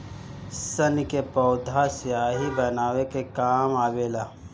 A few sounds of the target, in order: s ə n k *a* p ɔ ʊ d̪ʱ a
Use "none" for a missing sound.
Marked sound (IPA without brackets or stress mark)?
e